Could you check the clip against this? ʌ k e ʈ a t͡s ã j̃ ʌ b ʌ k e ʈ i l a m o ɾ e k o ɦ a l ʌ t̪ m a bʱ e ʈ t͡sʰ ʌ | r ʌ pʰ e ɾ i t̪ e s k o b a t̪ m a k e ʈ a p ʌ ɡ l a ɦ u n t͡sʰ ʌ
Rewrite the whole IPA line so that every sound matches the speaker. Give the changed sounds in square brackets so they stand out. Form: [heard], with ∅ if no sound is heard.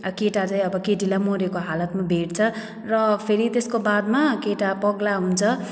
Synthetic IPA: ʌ k e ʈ a t͡s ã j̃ ʌ b ʌ k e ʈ i l a m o ɾ e k o ɦ a l ʌ t̪ m a bʱ e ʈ t͡sʰ ʌ | r ʌ pʰ e ɾ i t̪ e s k o b a [d̪] m a k e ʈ a p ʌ ɡ l a ɦ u n t͡sʰ ʌ

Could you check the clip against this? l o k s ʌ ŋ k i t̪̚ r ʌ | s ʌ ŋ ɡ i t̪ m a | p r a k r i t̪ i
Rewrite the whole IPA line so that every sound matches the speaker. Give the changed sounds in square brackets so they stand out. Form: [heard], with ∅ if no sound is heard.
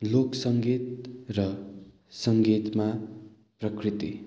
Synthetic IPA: l o k s ʌ ŋ [ɡ] i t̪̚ r ʌ | s ʌ ŋ ɡ i t̪ m a | p r [ʌ] k r i t̪ i

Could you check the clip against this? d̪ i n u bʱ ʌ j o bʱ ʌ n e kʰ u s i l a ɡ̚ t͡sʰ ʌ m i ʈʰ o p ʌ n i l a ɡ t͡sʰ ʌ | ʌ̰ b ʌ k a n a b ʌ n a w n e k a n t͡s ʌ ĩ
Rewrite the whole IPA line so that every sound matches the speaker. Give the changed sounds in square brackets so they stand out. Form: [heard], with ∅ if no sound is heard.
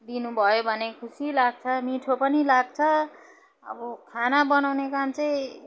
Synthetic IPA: d̪ i n u bʱ ʌ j o bʱ ʌ n e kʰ u s i l a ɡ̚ t͡sʰ ʌ m i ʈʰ o p ʌ n i l a ɡ t͡sʰ ʌ | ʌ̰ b ʌ [kʰ] a n a b ʌ n a w n e k a [m] t͡s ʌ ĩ

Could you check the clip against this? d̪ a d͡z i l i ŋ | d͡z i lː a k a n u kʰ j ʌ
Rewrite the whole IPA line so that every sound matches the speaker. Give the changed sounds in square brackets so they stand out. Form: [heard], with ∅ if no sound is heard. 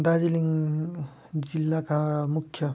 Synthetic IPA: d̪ a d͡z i l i ŋ | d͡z i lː a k a [m] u kʰ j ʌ

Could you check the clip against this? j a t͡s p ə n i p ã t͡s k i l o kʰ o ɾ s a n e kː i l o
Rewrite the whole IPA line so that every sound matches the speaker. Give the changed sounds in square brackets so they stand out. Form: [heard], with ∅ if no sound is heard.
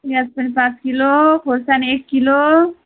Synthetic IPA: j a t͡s p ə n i p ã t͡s k i l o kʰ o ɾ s a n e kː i l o

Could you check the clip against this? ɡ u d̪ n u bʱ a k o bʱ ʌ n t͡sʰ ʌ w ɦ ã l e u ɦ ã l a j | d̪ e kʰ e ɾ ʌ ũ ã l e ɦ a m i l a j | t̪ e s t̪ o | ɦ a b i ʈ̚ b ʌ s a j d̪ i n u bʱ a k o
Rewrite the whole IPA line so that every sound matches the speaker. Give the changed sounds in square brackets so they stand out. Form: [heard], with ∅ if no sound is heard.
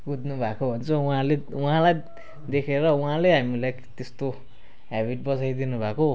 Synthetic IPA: ɡ u d̪ n u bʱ a k o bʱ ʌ n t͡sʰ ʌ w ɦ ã l e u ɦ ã l a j | d̪ e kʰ e ɾ ʌ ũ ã l e ɦ a m i l a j | t̪ e s t̪ o | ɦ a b i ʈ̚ b ʌ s a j d̪ i n u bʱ a k o

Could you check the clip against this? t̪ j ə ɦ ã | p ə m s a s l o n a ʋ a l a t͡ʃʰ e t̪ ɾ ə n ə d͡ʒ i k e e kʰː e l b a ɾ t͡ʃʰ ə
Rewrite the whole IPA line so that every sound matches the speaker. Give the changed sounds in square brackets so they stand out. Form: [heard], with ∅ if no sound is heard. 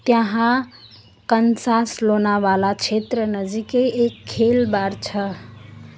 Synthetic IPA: t̪ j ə ɦ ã | [k] ə [n] s a s l o n a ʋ a l a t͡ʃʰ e t̪ ɾ ə n ə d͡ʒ i k e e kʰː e l b a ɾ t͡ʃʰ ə

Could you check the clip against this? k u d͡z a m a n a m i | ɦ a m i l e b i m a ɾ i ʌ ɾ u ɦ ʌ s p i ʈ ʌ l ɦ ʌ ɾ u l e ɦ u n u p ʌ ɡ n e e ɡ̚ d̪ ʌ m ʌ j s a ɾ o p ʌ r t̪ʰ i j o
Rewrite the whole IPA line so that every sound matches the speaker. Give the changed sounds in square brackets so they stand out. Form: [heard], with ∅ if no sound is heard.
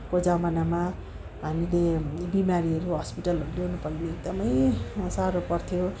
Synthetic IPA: k [o] d͡z a m a n a m [a] | ɦ a m i l e b i m a ɾ i ʌ ɾ u ɦ ʌ s p i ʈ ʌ l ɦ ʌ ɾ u l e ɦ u n u p ʌ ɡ n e e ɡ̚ d̪ ʌ m ʌ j s a ɾ o p ʌ r t̪ʰ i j o

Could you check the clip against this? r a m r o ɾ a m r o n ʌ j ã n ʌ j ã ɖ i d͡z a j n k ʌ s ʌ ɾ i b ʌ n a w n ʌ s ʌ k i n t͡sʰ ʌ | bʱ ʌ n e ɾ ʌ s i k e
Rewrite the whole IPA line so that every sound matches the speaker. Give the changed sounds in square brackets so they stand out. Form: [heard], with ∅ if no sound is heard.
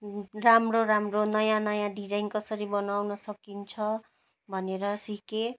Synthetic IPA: r a m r o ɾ a m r o n ʌ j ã n ʌ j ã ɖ i d͡z a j n k ʌ s ʌ ɾ i b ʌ n a w n ʌ s ʌ k i n t͡sʰ ʌ | bʱ ʌ n e ɾ ʌ s i k e

